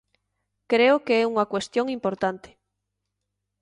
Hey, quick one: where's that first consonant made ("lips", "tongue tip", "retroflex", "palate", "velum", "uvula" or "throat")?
velum